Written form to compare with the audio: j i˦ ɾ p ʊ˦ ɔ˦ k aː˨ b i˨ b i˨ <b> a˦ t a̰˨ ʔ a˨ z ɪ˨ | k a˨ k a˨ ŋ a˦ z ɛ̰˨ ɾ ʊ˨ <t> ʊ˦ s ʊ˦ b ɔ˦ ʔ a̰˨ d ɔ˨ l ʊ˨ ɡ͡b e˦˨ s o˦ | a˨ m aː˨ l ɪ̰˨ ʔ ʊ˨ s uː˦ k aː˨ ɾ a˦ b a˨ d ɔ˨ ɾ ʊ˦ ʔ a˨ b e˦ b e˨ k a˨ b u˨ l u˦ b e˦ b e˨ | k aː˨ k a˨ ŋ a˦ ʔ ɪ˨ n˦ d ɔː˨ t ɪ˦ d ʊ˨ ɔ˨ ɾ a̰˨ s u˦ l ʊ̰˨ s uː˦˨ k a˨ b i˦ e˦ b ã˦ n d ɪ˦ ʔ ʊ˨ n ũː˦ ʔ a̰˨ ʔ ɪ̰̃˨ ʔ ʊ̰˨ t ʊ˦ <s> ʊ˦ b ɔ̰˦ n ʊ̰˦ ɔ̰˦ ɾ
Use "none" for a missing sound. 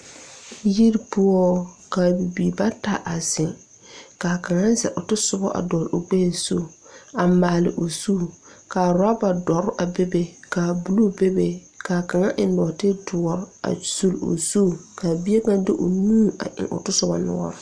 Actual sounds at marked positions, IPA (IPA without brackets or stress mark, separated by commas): b, t, s